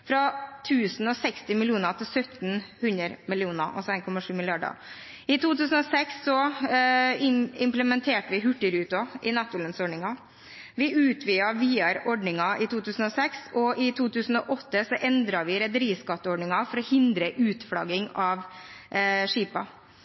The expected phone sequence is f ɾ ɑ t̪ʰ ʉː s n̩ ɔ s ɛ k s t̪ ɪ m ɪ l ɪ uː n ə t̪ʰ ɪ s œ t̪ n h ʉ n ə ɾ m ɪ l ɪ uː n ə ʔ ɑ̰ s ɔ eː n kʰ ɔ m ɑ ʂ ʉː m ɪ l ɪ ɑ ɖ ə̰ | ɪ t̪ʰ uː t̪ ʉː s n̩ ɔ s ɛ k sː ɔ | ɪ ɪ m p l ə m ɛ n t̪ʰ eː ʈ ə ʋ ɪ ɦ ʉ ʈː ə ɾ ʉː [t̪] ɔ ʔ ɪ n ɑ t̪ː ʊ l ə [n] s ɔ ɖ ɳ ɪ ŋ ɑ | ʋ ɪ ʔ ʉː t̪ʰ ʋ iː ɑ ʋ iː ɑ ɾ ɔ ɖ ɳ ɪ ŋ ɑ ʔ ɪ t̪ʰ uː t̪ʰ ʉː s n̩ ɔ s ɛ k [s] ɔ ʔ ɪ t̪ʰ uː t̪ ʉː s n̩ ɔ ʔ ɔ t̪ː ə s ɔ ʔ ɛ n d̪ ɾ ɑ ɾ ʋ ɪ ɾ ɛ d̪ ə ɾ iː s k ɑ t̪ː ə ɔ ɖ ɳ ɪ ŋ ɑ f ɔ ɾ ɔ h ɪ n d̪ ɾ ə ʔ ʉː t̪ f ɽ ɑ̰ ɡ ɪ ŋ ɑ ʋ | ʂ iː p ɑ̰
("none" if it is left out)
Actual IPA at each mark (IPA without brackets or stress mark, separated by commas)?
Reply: t̪, n, s